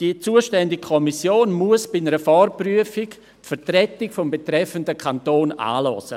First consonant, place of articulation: alveolar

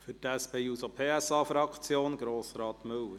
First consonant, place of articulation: labial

